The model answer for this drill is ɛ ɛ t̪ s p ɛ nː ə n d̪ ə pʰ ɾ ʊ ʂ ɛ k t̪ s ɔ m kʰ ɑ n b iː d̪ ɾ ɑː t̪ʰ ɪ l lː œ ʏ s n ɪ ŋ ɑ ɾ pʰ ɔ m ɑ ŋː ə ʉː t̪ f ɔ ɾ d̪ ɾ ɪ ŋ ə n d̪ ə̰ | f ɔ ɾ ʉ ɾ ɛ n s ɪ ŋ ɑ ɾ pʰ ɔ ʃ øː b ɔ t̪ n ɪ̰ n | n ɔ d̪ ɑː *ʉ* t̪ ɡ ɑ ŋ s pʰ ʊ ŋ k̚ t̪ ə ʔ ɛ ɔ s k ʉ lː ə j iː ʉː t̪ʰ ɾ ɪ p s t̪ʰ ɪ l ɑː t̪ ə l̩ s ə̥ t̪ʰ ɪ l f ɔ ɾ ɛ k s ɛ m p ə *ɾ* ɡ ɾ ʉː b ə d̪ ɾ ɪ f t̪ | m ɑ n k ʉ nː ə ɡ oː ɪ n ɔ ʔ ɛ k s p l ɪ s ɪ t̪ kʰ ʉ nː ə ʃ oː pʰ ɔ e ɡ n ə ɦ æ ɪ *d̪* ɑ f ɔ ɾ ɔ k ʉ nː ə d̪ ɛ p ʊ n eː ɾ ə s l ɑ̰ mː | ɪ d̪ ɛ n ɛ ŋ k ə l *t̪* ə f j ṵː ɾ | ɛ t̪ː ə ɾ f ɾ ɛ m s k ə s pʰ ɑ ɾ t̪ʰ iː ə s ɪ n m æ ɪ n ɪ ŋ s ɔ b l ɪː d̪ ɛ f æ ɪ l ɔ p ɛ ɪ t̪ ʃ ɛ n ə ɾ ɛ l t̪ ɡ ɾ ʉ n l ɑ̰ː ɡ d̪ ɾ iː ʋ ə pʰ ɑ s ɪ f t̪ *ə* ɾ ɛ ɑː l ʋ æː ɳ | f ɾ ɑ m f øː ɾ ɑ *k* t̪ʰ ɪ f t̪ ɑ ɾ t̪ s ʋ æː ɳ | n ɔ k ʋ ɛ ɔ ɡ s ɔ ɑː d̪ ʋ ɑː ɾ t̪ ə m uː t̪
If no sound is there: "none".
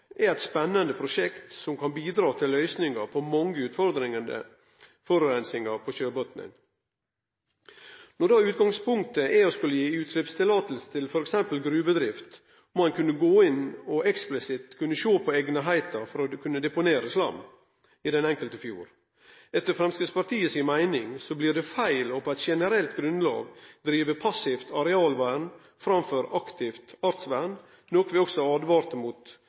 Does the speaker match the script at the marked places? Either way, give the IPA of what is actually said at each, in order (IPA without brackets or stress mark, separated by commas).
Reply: ʉː, l, t̪, t̪, ɑ, k